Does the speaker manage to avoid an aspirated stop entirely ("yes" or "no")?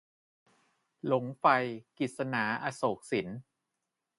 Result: yes